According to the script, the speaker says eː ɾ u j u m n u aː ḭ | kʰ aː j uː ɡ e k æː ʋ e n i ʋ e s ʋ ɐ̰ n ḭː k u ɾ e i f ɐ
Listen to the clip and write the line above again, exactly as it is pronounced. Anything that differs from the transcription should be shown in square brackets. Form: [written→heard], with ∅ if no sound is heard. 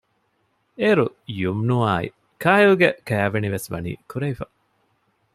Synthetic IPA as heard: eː ɾ u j u m n u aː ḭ | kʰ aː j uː ɡ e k æː ʋ e n i ʋ e s ʋ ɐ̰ n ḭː k u ɾ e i f ɐ